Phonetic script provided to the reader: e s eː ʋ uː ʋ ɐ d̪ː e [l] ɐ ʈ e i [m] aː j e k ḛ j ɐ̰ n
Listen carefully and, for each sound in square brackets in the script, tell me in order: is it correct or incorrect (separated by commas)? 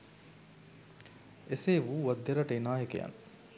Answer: incorrect, incorrect